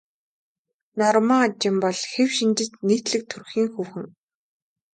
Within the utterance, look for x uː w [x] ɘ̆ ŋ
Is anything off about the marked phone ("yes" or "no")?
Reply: no